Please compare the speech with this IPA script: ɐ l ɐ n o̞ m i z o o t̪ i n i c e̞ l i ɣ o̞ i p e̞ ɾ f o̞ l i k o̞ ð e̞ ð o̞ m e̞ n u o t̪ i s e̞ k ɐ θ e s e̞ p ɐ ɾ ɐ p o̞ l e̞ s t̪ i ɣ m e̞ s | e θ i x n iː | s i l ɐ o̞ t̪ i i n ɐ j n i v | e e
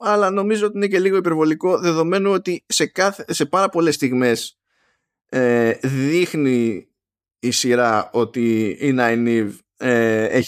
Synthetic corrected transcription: ɐ l ɐ n o̞ m i z o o t̪ i n e c e̞ l i ɣ o̞ i p e̞ ɾ v o̞ l i k o̞ ð e̞ ð o̞ m e̞ n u o t̪ i s e̞ k ɐ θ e s e̞ p ɐ ɾ ɐ p o̞ l e̞ s t̪ i ɣ m e̞ s | e ð i x n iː | s i ɾ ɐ o̞ t̪ i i n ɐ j n i v | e e